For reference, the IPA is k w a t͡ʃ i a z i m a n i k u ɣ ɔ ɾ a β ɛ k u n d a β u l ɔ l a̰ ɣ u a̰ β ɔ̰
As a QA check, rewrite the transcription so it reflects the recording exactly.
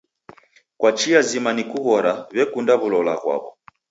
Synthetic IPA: k w a t͡ʃ i a z i m a n i k u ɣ ɔ ɾ a β ɛ k u n d a β u l ɔ l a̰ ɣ w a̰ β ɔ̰